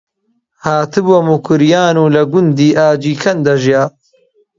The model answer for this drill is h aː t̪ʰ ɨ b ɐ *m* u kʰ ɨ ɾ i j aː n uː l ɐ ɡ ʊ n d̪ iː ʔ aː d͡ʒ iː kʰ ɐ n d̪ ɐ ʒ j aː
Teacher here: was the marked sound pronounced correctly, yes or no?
yes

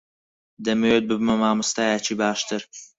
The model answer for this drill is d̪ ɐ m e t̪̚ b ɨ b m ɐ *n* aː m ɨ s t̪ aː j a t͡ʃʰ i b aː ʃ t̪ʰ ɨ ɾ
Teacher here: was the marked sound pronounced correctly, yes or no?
no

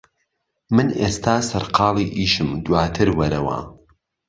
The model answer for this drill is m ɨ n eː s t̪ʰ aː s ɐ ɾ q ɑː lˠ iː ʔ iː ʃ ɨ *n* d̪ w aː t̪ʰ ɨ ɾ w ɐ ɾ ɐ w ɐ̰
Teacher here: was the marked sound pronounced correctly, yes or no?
no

